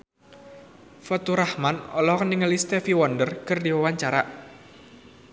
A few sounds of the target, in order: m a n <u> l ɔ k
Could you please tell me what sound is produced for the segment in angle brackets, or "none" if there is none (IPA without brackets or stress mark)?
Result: ɔ